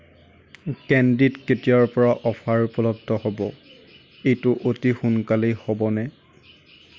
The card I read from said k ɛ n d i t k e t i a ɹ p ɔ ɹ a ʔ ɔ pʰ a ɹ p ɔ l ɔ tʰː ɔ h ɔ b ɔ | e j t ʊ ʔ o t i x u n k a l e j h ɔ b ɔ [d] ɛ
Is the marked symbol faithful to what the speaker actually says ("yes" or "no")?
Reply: no